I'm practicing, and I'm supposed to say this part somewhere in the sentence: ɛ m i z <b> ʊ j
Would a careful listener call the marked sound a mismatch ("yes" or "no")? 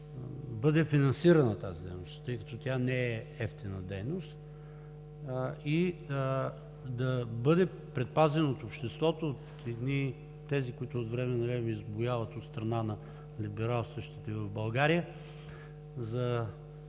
no